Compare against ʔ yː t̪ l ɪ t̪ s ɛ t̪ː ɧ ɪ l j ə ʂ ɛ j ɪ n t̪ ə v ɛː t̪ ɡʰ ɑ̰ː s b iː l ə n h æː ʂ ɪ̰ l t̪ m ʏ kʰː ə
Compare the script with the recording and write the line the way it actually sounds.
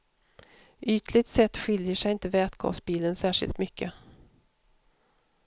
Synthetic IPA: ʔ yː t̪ l ɪ t̪ s ɛ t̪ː ɧ ɪ l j ə ʂ ɛ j ɪ n t̪ ə v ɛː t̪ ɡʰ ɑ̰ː s b iː l ə n s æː ʂ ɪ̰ l t̪ m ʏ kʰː ə